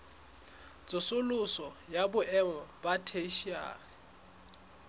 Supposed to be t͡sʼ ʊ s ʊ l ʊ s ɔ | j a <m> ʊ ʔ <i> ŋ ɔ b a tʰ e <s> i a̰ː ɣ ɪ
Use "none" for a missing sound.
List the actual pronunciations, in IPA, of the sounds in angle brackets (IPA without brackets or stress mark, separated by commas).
b, ɛ, ʃ